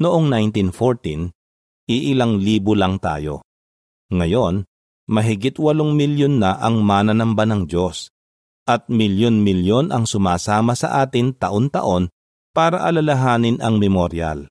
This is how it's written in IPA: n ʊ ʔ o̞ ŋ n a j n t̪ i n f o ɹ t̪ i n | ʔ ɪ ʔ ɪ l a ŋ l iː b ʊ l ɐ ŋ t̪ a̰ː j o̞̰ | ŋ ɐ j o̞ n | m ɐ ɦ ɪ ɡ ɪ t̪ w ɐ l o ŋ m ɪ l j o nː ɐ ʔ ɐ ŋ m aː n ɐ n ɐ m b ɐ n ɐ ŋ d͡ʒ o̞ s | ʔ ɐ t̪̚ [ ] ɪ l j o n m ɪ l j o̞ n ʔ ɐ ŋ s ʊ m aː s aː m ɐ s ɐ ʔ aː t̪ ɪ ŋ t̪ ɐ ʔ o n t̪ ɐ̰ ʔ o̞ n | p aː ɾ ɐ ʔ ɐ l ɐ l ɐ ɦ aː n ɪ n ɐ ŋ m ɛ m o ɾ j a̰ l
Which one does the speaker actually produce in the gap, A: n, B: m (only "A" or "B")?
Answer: B